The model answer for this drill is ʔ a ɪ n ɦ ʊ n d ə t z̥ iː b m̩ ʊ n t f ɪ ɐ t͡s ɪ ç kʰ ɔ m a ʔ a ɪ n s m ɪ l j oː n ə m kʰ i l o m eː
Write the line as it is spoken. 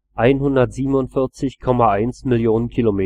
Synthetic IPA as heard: ʔ a ɪ n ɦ ʊ n d ɐ t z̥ iː b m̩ ʊ n t f ɪ ɐ t͡s ɪ ç kʰ ɔ m a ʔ a ɪ n s m ɪ l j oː n ə n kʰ i l o m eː

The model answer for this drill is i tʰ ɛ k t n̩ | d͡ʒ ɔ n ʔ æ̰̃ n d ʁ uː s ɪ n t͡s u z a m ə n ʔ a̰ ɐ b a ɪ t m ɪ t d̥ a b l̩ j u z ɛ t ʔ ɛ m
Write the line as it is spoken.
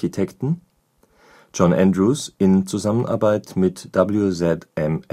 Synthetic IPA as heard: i tʰ ɛ k t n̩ | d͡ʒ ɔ n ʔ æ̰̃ n d ʁ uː s ɪ n t͡s u z a m ə n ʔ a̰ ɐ b a ɪ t m ɪ t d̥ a b l̩ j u z ɛ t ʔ ɛ m

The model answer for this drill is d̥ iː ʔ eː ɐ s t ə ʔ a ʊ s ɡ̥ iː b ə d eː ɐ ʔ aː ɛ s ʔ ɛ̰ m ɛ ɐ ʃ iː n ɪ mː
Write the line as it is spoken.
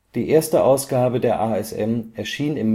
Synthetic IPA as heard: d̥ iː ʔ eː ɐ s t ə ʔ a ʊ s ɡ̥ aː b ə d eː ɐ ʔ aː ɛ s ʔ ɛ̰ m ɛ ɐ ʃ iː n ɪ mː

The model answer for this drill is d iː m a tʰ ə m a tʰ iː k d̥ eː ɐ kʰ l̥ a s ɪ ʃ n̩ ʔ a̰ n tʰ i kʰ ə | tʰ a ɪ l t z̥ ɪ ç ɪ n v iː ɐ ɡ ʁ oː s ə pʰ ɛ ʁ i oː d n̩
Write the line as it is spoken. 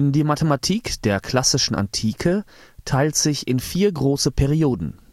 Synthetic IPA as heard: d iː m a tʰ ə m a tʰ iː k d̥ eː ɐ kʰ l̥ a s ɪ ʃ n̩ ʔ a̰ n tʰ iː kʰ ə | tʰ a ɪ l t z̥ ɪ ç ɪ n f iː ɐ ɡ ʁ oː s ə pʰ ɛ ʁ i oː d n̩

